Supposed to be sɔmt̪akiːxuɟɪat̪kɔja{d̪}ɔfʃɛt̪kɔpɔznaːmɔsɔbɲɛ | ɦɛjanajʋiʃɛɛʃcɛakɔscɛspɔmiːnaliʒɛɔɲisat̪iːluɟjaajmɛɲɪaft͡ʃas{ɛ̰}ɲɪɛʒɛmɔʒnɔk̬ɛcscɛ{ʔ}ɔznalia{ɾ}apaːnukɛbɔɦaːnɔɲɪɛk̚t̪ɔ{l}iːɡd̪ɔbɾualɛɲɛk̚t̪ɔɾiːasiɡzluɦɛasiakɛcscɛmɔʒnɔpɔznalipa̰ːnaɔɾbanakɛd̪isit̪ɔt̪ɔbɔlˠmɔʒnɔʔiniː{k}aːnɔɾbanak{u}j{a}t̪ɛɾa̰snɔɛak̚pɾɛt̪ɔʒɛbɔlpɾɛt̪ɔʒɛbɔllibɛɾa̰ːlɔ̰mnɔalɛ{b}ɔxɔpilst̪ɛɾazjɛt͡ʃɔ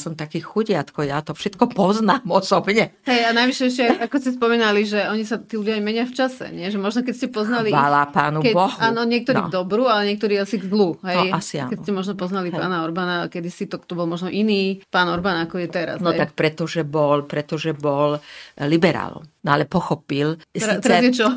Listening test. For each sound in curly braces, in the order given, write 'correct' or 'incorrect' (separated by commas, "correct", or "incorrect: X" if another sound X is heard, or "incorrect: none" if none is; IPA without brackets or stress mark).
incorrect: t̪, correct, incorrect: p, incorrect: l, incorrect: ɾ, incorrect: p, incorrect: ɔ, incorrect: ɛ, incorrect: p